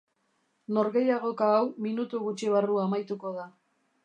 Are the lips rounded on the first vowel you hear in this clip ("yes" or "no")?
yes